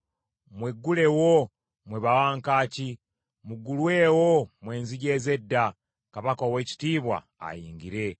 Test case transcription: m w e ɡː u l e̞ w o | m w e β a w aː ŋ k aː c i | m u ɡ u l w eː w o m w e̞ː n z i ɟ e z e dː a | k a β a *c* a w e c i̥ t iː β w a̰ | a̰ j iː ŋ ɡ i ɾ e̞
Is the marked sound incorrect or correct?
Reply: incorrect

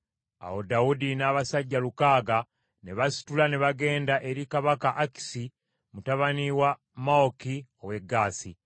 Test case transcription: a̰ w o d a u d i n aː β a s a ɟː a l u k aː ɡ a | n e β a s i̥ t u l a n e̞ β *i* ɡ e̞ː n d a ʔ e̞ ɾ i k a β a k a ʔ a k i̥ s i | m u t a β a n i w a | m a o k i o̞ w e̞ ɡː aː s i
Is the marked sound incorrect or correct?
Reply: incorrect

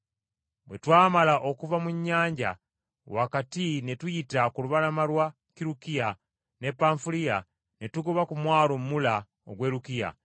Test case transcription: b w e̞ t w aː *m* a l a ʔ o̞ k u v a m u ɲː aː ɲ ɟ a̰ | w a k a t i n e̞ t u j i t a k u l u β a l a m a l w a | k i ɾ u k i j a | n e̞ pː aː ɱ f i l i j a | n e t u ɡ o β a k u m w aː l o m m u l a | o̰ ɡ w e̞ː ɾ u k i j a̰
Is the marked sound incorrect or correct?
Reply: correct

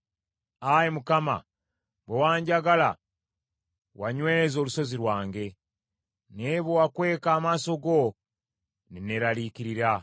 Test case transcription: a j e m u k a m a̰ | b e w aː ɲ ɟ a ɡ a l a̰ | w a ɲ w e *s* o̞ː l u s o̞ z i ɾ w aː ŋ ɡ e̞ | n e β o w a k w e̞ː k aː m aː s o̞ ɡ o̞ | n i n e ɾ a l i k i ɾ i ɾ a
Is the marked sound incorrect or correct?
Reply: incorrect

